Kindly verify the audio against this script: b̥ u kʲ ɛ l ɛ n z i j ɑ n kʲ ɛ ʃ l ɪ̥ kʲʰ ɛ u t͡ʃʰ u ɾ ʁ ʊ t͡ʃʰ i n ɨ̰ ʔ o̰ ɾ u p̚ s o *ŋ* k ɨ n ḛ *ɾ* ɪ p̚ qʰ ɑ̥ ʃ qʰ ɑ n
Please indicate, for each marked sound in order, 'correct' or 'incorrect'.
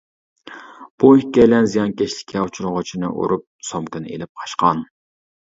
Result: incorrect, incorrect

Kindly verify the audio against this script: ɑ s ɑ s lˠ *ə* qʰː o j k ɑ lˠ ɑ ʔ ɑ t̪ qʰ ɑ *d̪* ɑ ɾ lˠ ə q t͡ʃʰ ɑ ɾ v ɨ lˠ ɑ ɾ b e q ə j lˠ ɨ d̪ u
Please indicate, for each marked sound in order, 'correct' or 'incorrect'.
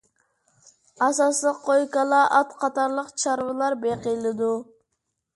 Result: correct, incorrect

